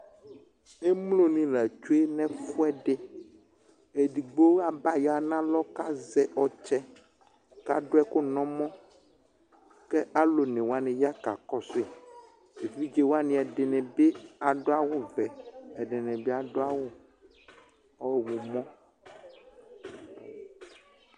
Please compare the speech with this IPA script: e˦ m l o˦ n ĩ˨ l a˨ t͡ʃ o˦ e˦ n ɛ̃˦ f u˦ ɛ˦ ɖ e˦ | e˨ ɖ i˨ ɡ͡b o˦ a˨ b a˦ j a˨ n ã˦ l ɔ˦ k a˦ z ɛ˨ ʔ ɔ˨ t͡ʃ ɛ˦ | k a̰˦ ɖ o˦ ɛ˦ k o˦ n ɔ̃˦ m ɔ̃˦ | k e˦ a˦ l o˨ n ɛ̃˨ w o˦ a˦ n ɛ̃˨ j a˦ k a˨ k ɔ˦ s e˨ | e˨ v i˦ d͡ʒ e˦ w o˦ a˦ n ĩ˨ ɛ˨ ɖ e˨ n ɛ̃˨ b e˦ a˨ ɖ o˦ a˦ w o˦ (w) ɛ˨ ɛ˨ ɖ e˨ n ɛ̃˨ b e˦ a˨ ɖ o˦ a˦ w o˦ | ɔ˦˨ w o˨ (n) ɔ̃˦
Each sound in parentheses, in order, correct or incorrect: incorrect: v, incorrect: m

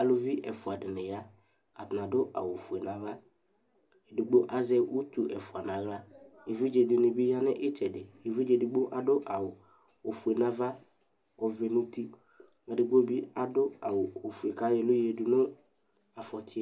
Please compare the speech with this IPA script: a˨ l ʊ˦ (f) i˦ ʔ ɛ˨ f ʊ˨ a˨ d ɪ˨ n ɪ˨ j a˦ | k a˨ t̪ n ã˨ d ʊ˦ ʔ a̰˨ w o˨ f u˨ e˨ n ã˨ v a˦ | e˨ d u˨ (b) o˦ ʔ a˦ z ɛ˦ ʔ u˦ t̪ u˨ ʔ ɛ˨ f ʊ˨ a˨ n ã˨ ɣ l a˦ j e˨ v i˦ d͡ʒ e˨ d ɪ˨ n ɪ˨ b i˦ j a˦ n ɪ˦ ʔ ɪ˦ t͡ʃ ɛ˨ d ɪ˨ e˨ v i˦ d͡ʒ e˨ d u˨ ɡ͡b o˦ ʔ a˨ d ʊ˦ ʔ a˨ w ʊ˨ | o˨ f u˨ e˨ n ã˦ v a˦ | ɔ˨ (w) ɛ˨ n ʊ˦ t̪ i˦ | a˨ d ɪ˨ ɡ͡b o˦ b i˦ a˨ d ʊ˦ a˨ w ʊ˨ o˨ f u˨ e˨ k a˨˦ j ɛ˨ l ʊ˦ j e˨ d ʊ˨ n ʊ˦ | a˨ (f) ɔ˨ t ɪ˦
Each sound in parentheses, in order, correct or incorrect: incorrect: v, incorrect: ɡ͡b, incorrect: v, correct

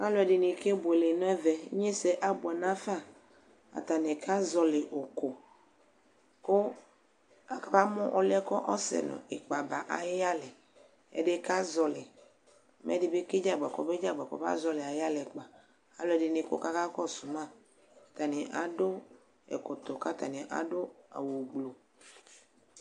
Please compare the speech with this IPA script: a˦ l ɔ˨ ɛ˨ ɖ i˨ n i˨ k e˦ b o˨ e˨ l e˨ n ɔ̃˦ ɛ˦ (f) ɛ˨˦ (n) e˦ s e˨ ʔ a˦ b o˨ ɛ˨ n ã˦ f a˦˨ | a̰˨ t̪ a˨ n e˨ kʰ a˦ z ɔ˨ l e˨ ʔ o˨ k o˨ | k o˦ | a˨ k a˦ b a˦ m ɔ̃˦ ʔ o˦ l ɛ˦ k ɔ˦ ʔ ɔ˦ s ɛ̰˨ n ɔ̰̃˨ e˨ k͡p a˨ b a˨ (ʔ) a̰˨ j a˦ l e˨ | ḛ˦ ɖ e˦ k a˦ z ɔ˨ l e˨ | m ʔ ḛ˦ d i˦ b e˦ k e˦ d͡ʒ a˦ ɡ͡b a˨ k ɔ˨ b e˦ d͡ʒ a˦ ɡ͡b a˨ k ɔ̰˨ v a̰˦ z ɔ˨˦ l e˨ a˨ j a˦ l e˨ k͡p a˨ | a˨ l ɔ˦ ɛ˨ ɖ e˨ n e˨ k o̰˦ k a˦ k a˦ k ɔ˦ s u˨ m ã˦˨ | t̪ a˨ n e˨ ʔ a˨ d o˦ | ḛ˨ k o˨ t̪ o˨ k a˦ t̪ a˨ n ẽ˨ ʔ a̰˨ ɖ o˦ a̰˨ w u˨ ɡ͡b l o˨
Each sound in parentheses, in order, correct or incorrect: incorrect: v, incorrect: ɲ, correct

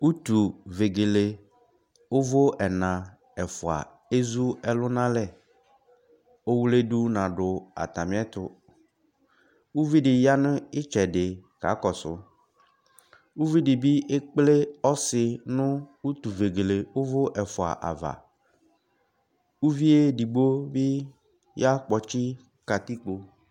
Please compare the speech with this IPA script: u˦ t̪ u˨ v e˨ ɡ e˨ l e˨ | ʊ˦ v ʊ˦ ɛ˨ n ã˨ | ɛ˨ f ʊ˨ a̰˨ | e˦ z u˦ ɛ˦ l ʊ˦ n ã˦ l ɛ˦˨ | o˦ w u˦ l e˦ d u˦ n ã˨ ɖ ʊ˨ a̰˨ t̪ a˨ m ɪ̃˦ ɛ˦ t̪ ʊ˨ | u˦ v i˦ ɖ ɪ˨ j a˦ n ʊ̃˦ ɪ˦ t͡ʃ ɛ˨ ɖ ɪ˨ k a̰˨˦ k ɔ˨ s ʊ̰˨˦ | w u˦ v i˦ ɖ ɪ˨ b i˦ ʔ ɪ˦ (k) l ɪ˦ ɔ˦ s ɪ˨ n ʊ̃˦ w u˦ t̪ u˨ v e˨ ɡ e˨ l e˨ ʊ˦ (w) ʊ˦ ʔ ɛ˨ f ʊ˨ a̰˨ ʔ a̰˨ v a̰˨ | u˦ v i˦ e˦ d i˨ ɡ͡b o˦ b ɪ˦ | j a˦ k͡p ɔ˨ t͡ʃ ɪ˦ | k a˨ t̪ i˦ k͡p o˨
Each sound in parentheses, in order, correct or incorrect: incorrect: k͡p, incorrect: v

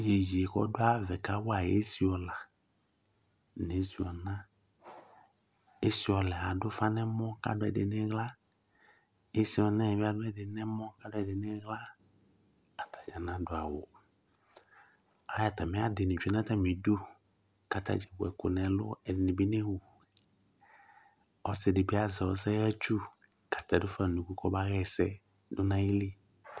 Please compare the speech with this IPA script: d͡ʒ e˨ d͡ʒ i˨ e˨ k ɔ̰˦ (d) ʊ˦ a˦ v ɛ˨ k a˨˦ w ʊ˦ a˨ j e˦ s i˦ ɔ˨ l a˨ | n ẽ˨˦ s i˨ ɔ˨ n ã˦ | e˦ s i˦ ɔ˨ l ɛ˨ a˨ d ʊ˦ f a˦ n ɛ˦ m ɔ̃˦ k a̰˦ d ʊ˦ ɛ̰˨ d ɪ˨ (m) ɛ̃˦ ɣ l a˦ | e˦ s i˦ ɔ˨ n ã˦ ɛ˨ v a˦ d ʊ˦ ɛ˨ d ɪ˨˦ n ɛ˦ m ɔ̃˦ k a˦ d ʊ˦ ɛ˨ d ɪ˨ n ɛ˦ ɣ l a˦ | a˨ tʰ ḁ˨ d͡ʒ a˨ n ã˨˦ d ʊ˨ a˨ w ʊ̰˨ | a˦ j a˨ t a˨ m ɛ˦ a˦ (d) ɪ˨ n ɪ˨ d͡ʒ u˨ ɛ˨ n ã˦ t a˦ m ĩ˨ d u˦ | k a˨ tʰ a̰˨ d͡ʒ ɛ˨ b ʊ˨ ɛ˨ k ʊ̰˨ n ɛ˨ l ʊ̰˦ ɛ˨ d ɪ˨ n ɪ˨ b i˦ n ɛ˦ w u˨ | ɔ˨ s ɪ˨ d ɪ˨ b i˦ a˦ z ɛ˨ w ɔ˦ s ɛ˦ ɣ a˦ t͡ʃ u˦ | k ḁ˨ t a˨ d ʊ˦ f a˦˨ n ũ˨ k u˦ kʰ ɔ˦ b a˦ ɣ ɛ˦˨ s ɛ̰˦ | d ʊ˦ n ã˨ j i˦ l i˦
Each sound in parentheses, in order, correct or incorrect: correct, incorrect: n, correct

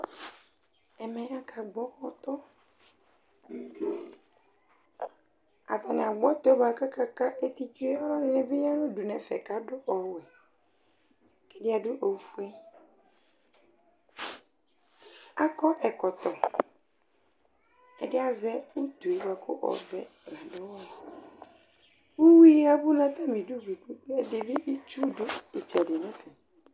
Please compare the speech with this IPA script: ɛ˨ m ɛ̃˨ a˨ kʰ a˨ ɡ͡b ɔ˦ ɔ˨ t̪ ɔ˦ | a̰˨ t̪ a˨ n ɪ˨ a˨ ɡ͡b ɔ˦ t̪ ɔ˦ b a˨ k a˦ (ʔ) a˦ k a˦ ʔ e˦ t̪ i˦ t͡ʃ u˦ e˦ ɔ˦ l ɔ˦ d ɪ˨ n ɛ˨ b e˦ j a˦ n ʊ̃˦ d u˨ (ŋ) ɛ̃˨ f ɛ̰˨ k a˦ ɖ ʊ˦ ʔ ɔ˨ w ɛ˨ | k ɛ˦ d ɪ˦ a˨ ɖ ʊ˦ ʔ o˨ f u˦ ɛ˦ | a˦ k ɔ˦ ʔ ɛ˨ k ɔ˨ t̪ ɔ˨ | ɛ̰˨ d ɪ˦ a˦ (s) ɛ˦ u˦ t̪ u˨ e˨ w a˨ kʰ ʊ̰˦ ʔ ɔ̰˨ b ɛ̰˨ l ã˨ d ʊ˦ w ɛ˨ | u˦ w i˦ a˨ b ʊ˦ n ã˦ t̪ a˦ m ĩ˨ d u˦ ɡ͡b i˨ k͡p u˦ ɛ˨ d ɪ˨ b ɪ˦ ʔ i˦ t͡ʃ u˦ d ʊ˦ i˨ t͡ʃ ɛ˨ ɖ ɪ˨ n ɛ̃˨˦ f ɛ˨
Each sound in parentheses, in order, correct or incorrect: incorrect: k, incorrect: n, incorrect: z

